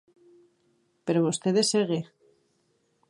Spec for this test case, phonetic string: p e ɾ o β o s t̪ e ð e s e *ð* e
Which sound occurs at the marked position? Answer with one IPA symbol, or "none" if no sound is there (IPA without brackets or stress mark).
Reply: ɣ